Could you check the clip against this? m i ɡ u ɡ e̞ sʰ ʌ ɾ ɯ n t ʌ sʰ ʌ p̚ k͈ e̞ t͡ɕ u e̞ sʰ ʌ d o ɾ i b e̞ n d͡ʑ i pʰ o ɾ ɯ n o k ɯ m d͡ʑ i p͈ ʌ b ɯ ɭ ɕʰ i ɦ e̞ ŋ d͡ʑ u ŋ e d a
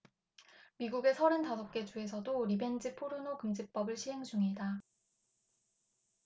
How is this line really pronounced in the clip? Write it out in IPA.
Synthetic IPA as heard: m i ɡ u ɡ e̞ sʰ ʌ ɾ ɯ n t a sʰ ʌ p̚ k͈ e̞ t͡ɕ u e̞ sʰ ʌ d o ɾ i b e̞ n d͡ʑ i pʰ o ɾ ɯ n o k ɯ m d͡ʑ i p͈ ʌ b ɯ ɭ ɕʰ i ɦ e̞ ŋ d͡ʑ u ŋ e d a

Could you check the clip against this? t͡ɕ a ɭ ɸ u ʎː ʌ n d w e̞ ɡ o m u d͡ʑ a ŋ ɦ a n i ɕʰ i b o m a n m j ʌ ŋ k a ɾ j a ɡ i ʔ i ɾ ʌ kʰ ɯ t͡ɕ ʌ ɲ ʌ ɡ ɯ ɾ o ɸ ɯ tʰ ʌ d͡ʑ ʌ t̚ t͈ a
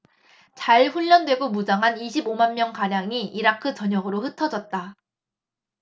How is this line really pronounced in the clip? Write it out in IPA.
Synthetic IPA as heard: t͡ɕ a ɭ ɸ u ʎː ʌ n d w e̞ ɡ o m u d͡ʑ a ŋ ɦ a n i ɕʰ i b o m a n m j ʌ ŋ k a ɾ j a ŋ i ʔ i ɾ a kʰ ɯ t͡ɕ ʌ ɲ ʌ ɡ ɯ ɾ o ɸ ɯ tʰ ʌ d͡ʑ ʌ t̚ t͈ a

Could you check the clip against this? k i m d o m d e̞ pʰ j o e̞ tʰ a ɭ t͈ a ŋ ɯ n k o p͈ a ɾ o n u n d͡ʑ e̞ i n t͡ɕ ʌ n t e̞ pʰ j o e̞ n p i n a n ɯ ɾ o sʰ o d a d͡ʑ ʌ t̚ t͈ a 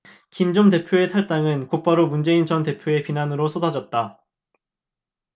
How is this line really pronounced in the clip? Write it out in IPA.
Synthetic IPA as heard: k i m d͡ʑ o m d e̞ pʰ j o e̞ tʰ a ɭ t͈ a ŋ ɯ n k o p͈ a ɾ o m u n d͡ʑ e̞ i n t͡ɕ ʌ n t e̞ pʰ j o e̞ p i n a n ɯ ɾ o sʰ o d a d͡ʑ ʌ t̚ t͈ a

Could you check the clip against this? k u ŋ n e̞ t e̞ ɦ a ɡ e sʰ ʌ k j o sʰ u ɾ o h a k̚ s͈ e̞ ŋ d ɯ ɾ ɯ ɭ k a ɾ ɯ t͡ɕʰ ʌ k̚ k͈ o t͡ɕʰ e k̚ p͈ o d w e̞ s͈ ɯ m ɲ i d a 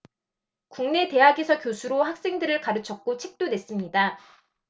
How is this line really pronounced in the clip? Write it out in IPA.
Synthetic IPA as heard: k u ŋ n e̞ t e̞ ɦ a ɡ e sʰ ʌ k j o sʰ u ɾ o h a k̚ s͈ e̞ ŋ d ɯ ɾ ɯ ɭ k a ɾ ɯ t͡ɕʰ ʌ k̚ k͈ o t͡ɕʰ e k̚ t͈ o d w e̞ s͈ ɯ m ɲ i d a

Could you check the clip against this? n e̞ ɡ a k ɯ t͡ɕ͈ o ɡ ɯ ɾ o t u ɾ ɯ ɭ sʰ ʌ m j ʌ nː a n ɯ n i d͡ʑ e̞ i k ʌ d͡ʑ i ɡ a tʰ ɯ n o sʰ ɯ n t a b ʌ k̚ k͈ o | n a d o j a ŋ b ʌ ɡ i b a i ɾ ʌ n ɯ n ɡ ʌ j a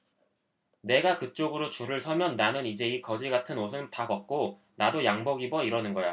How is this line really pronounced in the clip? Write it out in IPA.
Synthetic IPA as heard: n e̞ ɡ a k ɯ t͡ɕ͈ o ɡ ɯ ɾ o t͡ɕ u ɾ ɯ ɭ sʰ ʌ m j ʌ nː a n ɯ n i d͡ʑ e̞ i k ʌ d͡ʑ i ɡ a tʰ ɯ n o sʰ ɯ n t a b ʌ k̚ k͈ o | n a d o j a ŋ b ʌ ɡ i b ʌ i ɾ ʌ n ɯ n ɡ ʌ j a

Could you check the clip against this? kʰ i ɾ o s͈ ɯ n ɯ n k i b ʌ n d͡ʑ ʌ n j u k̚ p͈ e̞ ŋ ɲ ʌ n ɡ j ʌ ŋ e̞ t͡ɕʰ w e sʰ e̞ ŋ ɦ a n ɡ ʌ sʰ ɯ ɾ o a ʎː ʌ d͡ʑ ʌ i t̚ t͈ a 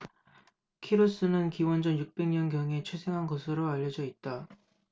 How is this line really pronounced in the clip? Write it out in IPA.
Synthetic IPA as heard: kʰ i ɾ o s͈ ɯ n ɯ n k i w ʌ n d͡ʑ ʌ n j u k̚ p͈ e̞ ŋ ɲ ʌ n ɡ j ʌ ŋ e̞ t͡ɕʰ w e sʰ e̞ ŋ ɦ a n ɡ ʌ sʰ ɯ ɾ o a ʎː ʌ d͡ʑ ʌ i t̚ t͈ a

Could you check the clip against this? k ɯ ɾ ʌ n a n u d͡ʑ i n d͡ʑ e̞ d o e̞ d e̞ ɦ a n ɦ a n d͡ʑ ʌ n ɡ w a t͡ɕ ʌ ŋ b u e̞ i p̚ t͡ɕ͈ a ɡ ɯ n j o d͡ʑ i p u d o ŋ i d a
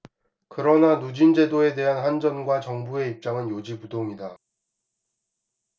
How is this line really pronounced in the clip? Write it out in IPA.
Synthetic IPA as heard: k ɯ ɾ ʌ n a n u d͡ʑ i n d͡ʑ e̞ d o e̞ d e̞ ɦ a n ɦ a n d͡ʑ ʌ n ɡ w a t͡ɕ ʌ ŋ b u e̞ i p̚ t͡ɕ͈ a ŋ ɯ n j o d͡ʑ i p u d o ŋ i d a

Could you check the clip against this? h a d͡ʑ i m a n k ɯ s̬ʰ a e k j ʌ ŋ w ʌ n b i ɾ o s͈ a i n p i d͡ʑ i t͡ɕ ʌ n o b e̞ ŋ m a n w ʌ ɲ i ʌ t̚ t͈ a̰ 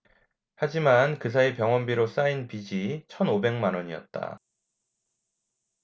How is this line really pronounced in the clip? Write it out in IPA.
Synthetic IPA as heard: h a d͡ʑ i m a n k ɯ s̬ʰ a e p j ʌ ŋ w ʌ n b i ɾ o s͈ a i n p i d͡ʑ i t͡ɕʰ ʌ n o b e̞ ŋ m a n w ʌ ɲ i ʌ t̚ t͈ a̰

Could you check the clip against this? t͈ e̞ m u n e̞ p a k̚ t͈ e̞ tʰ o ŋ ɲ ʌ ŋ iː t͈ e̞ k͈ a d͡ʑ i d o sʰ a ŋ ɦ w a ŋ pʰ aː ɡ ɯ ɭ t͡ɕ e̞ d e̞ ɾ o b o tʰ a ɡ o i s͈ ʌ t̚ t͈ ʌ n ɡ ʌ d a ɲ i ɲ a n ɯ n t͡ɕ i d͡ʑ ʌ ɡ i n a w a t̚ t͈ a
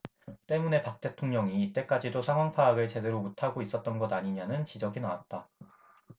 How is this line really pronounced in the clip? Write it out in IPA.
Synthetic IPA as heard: t͈ e̞ m u n e̞ p a k̚ t͈ e̞ tʰ o ŋ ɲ ʌ ŋ iː t͈ e̞ k͈ a d͡ʑ i d o sʰ a ŋ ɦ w a ŋ pʰ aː ɡ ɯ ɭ t͡ɕ e̞ d e̞ ɾ o m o tʰ a ɡ o i s͈ ʌ t̚ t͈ ʌ n ɡ ʌ d a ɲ i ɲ a n ɯ n t͡ɕ i d͡ʑ ʌ ɡ i n a w a t̚ t͈ a

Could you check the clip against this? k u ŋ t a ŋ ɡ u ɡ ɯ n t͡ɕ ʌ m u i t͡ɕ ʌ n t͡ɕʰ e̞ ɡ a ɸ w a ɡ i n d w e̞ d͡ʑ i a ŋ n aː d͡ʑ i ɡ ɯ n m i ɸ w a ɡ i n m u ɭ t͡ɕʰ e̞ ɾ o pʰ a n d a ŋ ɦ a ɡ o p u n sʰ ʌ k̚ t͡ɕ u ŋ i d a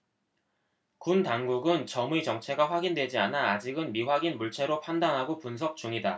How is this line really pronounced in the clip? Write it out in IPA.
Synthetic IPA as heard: k u n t a ŋ ɡ u ɡ ɯ n t͡ɕ ʌ m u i t͡ɕ ʌ ŋ t͡ɕʰ e̞ ɡ a ɸ w a ɡ i n d w e̞ d͡ʑ i a n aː d͡ʑ i ɡ ɯ n m i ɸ w a ɡ i n m u ɭ t͡ɕʰ e̞ ɾ o pʰ a n d a ŋ ɦ a ɡ o p u n sʰ ʌ k̚ t͡ɕ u ŋ i d a

